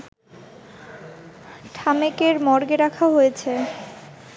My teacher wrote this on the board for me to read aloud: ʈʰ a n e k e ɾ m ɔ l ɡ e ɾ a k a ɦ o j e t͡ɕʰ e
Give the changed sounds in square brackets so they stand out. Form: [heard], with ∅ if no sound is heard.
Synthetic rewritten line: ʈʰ a [m] e k e ɾ m ɔ [ɾ] ɡ e ɾ a [kʰ] a ɦ o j e t͡ɕʰ e